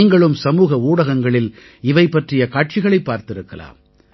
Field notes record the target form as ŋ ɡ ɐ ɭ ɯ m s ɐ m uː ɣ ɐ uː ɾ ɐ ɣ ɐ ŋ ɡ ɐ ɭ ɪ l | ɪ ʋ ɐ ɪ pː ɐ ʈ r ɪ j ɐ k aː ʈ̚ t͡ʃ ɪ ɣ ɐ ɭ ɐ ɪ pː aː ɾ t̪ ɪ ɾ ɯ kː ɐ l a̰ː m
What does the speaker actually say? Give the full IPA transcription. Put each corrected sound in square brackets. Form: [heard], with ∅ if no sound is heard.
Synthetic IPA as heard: ŋ ɡ ɐ ɭ ɯ m s ɐ m uː ɣ ɐ uː [ɽ] ɐ ɣ ɐ ŋ ɡ ɐ ɭ ɪ l | ɪ ʋ ɐ ɪ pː ɐ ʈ r ɪ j ɐ k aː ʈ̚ t͡ʃ ɪ ɣ ɐ ɭ ɐ ɪ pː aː ɾ t̪ ɪ ɾ ɯ kː ɐ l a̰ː m